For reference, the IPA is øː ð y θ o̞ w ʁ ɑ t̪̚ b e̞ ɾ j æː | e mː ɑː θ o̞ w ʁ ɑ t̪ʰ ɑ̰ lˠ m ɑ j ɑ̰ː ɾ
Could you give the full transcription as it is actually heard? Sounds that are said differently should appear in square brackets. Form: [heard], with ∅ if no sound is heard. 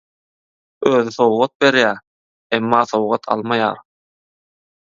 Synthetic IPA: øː ð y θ o̞ w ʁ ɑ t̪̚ b e̞ ɾ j æː | e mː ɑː θ o̞ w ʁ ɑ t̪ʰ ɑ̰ lˠ m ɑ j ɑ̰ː ɾ